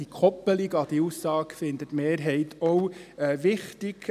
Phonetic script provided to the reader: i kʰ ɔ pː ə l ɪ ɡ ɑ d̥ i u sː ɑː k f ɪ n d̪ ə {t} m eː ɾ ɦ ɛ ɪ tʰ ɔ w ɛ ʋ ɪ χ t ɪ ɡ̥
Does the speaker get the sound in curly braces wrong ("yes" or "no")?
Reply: no